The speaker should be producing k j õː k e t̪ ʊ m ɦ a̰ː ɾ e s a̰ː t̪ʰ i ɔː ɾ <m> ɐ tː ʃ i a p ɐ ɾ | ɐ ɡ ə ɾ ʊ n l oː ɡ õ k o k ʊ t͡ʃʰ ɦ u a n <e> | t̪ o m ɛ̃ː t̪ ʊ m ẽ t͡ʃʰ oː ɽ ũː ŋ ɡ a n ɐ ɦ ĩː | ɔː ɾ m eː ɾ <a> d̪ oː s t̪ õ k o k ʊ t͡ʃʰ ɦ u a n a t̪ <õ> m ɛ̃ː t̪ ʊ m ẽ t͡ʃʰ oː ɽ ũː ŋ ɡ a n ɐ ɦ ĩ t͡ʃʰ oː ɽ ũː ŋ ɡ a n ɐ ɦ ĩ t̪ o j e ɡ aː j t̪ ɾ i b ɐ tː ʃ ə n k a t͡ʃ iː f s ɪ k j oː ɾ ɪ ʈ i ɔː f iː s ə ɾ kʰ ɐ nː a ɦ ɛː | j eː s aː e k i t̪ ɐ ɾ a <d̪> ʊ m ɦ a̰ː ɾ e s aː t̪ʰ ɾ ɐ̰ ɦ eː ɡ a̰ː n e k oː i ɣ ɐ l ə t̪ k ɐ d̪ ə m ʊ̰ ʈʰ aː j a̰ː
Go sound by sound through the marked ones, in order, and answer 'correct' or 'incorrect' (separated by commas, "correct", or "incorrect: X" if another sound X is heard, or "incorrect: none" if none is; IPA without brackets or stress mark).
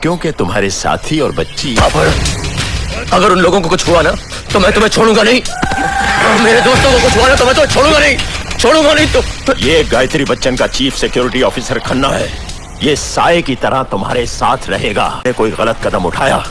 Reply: incorrect: b, incorrect: a, incorrect: e, incorrect: o, incorrect: t̪